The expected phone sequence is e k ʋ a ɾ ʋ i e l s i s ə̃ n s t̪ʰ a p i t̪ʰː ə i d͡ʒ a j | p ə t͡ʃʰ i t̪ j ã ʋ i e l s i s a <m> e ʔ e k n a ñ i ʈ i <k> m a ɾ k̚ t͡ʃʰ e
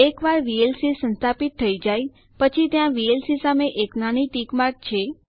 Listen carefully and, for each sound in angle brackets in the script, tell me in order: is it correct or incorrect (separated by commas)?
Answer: correct, correct